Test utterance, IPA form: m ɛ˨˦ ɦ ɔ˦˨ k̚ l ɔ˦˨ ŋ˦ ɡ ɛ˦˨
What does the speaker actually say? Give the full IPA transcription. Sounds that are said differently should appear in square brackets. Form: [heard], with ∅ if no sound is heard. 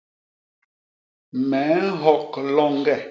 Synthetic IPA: m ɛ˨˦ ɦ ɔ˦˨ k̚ l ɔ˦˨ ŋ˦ ɡ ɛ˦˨